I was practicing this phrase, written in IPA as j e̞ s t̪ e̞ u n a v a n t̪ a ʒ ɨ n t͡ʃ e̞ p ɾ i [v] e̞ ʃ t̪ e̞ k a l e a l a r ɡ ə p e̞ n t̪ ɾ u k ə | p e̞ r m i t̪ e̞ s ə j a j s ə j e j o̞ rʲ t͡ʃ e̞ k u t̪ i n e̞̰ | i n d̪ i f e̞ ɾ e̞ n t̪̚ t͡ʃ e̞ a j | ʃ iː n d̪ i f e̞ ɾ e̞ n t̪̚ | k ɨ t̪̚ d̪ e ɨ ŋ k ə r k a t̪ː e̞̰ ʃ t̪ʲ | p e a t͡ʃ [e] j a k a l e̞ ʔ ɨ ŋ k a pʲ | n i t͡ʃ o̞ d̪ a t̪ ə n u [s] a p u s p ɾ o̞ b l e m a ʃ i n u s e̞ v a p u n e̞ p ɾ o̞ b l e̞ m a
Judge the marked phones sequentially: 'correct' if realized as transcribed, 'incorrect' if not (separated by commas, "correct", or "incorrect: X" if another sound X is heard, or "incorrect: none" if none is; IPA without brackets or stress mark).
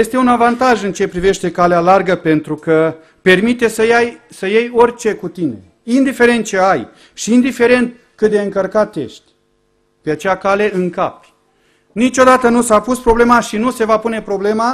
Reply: correct, correct, correct